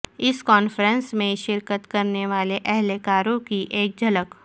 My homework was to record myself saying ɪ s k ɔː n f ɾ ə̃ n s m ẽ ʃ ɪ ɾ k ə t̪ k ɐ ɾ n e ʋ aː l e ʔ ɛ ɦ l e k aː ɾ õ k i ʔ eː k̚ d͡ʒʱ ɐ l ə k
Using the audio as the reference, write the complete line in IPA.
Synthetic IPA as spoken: ɪ s k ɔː n f ɾ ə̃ n s m ẽ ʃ ɪ ɾ k ə t̪ k ɐ ɾ n e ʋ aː l e ʔ ɛ ɦ l e k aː ɾ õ k i ʔ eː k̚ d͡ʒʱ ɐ l ə k